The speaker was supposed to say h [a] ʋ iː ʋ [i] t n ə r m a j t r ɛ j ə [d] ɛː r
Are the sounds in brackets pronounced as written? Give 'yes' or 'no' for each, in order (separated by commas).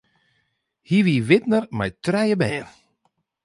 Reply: no, no, no